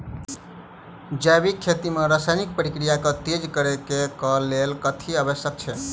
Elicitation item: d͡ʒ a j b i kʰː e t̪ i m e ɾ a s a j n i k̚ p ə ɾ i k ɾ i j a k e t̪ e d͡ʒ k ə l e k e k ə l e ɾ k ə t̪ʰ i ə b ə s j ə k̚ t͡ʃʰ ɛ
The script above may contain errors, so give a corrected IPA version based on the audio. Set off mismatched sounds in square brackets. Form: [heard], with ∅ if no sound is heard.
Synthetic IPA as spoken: d͡ʒ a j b i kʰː e t̪ i m e ɾ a s a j n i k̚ p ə ɾ i k ɾ i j a k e t̪ e d͡ʒ k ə [ɾ] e k e k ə l e [l] k ə t̪ʰ i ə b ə s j ə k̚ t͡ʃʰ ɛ